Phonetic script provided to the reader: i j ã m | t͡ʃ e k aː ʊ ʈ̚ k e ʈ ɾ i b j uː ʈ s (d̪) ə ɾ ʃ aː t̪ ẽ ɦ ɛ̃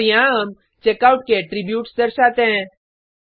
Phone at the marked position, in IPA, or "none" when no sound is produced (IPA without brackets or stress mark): d̪